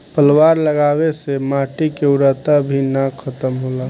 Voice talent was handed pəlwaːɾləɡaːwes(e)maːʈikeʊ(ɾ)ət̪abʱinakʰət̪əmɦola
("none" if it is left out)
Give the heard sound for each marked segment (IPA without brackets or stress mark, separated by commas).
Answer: e, ɾ